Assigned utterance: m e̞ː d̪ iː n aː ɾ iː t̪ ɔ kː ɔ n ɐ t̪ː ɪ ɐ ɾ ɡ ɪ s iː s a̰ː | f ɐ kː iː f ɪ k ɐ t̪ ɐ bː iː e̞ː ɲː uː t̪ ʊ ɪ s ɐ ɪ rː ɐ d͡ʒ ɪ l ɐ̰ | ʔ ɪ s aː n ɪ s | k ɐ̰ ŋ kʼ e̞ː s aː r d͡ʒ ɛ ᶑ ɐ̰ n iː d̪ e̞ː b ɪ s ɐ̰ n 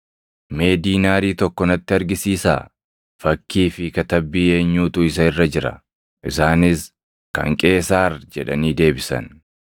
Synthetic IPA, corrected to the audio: m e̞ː d̪ iː n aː ɾ iː t̪ ɔ kː ɔ n ɐ t̪ː ɪ ɐ ɾ ɡ ɪ s iː s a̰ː | f ɐ kː iː f ɪ k ɐ t̪ ɐ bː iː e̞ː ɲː uː t̪ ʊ ɪ s ɐ ɪ rː ɐ d͡ʒ ɪ ɾ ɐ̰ | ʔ ɪ s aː n ɪ s | k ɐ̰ ŋ kʼ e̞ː s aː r d͡ʒ ɛ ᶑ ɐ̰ n iː d̪ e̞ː b ɪ s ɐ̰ n